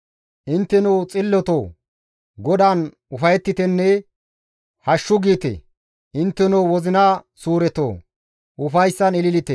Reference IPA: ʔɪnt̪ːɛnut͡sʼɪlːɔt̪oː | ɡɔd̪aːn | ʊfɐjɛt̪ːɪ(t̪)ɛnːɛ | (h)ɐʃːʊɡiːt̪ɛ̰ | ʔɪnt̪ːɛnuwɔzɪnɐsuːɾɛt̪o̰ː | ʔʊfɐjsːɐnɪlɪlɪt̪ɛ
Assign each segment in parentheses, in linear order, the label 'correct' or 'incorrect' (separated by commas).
correct, correct